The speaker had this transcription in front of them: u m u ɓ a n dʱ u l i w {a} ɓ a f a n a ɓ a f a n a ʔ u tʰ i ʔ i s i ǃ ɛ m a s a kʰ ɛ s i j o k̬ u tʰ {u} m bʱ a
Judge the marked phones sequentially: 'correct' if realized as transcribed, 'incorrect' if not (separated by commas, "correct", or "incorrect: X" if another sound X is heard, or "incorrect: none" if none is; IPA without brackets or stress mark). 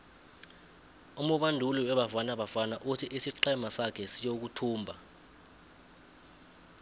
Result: incorrect: ɛ, incorrect: uː